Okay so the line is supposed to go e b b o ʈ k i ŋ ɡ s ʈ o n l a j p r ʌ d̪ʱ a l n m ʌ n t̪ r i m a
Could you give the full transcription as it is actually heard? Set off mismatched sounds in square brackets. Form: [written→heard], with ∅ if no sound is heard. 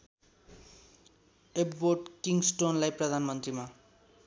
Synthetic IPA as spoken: e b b o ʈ k i ŋ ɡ s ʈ o n l a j p r ʌ d̪ʱ a [l→∅] n m ʌ n t̪ r i m a